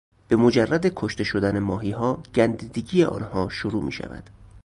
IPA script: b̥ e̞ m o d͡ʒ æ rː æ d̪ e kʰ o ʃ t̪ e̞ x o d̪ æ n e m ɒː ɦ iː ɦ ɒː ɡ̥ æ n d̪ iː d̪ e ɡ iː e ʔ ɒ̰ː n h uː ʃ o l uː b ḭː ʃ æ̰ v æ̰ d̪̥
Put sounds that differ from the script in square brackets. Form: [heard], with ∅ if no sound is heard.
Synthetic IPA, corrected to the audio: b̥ e̞ m o d͡ʒ æ rː æ d̪ e kʰ o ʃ t̪ e̞ [ʃ] o d̪ æ n e m ɒː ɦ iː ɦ ɒː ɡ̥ æ n d̪ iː d̪ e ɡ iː e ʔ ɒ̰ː n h [ɒː] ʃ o [ɾ] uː [m] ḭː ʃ æ̰ v æ̰ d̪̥